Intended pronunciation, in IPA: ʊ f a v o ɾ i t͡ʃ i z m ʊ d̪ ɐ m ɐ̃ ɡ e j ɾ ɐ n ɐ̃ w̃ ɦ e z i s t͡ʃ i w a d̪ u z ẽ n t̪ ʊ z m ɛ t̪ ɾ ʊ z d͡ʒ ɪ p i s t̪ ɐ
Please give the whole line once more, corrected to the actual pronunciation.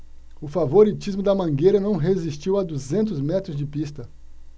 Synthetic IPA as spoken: ʊ f a v o ɾ i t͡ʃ i z m ʊ d̪ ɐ m ɐ̃ ɡ e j ɾ ɐ n ɐ̃ w̃ ɦ e z i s t͡ʃ i w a d̪ u z ẽ n t̪ ʊ z m ɛ t̪ ɾ ʊ z d͡ʒ ɪ p i s t̪ ɐ